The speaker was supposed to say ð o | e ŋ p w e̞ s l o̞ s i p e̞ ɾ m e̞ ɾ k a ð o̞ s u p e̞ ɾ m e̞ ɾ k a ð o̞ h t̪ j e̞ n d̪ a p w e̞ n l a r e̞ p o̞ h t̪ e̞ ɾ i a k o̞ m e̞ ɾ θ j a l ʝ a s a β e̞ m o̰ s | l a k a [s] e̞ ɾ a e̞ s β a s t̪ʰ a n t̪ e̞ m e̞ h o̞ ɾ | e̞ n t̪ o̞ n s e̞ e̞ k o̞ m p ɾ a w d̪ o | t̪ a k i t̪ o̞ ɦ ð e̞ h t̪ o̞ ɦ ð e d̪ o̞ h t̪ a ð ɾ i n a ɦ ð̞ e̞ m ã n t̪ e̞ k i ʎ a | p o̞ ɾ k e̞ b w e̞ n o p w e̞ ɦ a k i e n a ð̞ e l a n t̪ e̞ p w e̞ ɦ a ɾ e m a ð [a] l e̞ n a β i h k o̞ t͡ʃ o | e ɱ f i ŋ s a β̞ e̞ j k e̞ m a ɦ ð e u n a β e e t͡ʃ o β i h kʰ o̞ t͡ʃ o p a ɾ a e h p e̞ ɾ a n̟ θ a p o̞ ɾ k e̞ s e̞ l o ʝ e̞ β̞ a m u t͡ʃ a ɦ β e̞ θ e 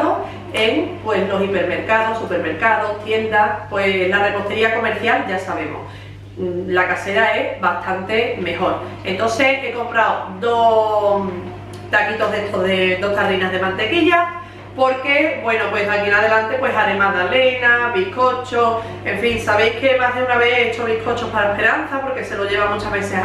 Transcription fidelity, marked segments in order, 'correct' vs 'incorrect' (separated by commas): correct, correct